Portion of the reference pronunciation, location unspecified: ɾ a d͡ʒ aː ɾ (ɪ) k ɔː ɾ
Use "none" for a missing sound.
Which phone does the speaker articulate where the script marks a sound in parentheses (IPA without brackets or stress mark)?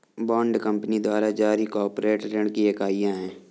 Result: i